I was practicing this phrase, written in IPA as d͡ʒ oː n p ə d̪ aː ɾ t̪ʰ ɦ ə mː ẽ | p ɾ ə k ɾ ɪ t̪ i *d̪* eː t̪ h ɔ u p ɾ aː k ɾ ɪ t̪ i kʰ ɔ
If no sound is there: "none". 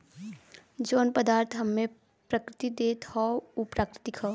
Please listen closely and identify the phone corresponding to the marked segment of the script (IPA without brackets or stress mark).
d̪